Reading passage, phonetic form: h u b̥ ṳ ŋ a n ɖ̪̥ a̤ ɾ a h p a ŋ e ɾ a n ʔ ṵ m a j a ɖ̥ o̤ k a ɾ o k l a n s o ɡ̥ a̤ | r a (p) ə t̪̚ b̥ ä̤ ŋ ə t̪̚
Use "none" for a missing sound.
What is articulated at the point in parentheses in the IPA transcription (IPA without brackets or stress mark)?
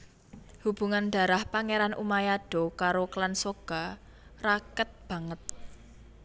k